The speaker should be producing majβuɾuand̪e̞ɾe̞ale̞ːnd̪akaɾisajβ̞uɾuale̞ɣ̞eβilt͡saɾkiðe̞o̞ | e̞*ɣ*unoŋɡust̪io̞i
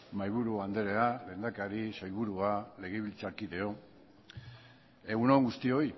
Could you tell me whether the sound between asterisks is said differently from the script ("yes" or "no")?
no